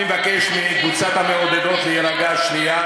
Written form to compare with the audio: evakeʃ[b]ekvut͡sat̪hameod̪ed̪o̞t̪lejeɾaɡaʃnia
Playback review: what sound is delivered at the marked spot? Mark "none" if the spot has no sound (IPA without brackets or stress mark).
m